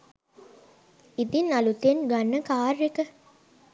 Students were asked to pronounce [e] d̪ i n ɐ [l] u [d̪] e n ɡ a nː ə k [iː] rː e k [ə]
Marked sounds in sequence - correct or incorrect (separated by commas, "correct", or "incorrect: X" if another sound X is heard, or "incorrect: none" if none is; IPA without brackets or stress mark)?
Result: incorrect: i, correct, incorrect: t̪, incorrect: aː, correct